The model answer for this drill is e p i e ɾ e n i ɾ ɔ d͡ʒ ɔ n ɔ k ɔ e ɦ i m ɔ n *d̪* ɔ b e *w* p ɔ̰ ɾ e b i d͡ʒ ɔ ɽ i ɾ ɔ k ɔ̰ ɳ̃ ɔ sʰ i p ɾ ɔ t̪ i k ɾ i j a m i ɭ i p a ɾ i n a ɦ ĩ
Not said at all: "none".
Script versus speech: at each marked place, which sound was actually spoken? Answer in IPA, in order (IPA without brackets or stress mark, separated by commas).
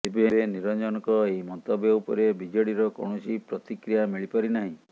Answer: t̪, u